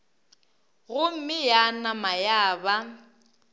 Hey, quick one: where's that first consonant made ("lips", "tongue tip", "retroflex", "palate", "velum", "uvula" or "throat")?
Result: velum